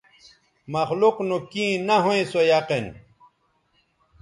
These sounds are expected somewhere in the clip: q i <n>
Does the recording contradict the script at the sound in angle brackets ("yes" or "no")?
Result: no